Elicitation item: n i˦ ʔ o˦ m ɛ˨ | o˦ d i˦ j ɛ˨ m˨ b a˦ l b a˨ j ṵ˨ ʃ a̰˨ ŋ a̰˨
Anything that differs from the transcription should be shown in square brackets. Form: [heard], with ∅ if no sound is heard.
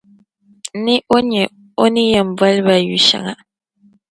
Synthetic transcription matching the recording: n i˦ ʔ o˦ [ɲ] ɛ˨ | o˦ [n] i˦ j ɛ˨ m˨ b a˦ l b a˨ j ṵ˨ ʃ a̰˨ ŋ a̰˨